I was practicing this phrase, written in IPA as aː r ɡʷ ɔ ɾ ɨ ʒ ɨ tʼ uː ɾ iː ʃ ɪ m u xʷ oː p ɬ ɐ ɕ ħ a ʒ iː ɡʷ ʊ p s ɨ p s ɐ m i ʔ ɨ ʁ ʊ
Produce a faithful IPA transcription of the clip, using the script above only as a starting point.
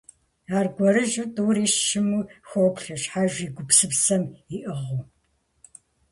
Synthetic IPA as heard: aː r ɡʷ ɔ ɾ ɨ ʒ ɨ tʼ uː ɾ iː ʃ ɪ m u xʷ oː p ɬ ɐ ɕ ħ a ʒ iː ɡʷ ʊ p s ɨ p s ɐ m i ʔ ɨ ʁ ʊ